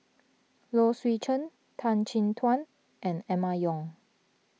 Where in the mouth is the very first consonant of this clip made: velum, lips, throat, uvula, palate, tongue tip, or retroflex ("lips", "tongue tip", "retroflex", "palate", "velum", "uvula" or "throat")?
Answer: tongue tip